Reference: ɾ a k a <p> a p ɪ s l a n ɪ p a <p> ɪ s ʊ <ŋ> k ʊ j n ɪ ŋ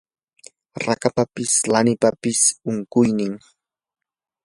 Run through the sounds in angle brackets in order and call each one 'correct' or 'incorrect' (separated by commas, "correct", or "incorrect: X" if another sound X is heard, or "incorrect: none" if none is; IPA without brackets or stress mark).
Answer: correct, correct, correct